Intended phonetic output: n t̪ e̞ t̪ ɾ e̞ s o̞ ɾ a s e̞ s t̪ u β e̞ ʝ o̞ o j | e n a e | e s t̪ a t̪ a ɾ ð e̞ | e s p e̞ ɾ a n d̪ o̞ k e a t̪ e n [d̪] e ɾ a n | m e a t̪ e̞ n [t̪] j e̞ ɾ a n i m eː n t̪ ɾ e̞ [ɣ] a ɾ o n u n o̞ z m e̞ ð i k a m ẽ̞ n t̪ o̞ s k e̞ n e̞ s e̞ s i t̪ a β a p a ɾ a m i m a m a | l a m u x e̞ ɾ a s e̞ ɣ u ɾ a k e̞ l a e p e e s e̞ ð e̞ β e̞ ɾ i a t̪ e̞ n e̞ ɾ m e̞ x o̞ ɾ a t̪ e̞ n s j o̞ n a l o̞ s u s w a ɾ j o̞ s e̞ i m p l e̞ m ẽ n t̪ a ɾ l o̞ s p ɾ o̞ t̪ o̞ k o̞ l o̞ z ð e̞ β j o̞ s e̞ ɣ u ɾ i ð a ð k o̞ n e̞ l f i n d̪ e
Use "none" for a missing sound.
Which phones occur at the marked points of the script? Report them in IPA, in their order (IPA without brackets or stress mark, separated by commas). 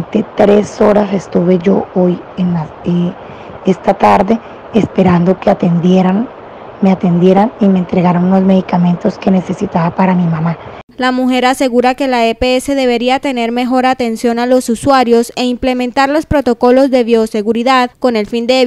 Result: d̪, d̪, ɣ